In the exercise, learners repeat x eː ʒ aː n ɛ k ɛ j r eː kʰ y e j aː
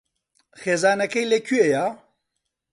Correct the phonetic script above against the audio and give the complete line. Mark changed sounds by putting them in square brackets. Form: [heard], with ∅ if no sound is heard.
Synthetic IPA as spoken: x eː [z] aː n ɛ k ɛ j [l] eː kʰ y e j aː

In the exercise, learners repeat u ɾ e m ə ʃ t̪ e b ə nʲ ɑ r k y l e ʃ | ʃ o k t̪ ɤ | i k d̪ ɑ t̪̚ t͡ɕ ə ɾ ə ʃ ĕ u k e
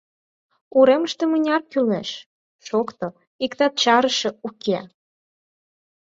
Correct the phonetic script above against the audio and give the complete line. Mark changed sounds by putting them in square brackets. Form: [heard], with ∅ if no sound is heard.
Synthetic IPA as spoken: u ɾ e m ə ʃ t̪ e [m] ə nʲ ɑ r k y l e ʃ | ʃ o k t̪ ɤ | i k [t̪] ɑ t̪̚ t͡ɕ [ɑ] ɾ ə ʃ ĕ u k e

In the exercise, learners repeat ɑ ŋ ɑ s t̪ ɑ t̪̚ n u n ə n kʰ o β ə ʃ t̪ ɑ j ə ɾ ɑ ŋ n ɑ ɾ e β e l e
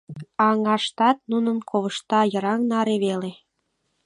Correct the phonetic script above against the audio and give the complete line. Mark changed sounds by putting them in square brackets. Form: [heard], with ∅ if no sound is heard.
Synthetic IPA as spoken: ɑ ŋ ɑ [ʃ] t̪ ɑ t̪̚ n u n ə n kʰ o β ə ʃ t̪ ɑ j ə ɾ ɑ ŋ n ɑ ɾ e β e l e

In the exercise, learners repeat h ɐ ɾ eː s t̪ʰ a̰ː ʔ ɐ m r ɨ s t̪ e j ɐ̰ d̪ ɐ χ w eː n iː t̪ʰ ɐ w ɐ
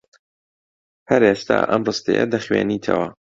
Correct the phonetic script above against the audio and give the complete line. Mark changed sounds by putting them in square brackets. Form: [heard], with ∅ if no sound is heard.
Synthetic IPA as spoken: h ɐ ɾ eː s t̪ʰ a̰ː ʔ ɐ m r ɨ s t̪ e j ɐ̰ d̪ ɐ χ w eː n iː t̪ʰ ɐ w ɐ

